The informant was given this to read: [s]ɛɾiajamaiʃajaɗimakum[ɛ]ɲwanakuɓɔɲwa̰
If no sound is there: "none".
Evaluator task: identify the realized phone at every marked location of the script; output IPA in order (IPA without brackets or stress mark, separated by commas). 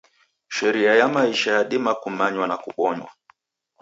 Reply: ʃ, a